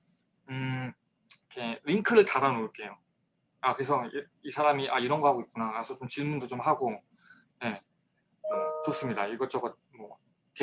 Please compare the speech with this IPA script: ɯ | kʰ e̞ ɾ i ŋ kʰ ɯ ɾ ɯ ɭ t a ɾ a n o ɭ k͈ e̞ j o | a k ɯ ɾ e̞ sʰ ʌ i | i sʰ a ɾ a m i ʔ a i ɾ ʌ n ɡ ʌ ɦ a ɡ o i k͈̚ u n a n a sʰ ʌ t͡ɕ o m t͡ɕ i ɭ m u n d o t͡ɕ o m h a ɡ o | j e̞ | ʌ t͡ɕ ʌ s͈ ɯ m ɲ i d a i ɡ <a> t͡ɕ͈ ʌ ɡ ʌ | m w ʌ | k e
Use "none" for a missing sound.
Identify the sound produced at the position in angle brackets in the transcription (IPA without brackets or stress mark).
ʌ